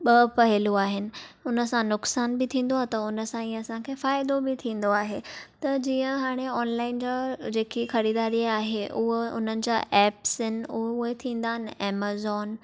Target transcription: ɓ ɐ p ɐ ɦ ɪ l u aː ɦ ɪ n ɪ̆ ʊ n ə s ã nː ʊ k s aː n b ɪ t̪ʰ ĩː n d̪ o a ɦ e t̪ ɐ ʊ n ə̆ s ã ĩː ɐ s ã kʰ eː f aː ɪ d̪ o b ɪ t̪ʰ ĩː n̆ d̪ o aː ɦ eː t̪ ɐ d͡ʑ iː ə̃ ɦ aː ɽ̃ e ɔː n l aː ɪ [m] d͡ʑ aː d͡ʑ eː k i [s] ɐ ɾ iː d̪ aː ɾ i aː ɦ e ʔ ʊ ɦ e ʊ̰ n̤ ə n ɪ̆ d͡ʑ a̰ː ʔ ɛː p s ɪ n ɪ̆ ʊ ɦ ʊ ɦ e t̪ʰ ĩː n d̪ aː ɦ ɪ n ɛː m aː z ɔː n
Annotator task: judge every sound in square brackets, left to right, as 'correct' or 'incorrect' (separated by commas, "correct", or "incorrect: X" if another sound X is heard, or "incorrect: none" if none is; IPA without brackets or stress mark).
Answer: incorrect: n, incorrect: x